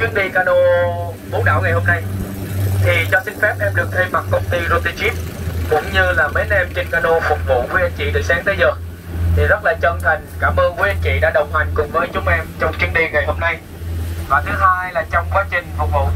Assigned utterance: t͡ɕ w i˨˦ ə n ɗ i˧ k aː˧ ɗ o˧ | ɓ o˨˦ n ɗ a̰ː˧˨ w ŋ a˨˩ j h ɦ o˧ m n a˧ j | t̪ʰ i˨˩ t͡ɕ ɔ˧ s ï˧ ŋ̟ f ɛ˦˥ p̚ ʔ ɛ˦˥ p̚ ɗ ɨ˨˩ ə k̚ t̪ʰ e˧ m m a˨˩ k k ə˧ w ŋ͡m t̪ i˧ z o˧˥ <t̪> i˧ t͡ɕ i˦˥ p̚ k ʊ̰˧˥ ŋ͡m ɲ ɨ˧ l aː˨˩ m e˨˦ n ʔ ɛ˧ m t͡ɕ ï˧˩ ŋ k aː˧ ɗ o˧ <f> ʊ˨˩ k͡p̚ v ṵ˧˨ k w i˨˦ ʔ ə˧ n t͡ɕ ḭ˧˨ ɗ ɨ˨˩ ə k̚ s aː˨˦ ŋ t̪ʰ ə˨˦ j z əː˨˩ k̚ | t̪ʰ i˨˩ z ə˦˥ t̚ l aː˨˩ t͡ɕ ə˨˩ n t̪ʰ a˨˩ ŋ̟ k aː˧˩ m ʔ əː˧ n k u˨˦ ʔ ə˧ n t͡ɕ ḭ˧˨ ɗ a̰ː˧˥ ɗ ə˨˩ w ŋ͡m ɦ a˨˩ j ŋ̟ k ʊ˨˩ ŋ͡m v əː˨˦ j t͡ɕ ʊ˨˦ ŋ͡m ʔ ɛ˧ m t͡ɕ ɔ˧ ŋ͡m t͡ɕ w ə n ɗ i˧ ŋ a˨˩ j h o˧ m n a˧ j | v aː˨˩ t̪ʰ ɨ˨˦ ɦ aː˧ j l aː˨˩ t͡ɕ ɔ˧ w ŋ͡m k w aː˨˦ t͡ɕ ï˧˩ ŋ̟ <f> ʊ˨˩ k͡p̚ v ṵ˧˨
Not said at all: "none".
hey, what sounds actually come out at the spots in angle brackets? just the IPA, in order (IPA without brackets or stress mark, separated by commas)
t̪, f, f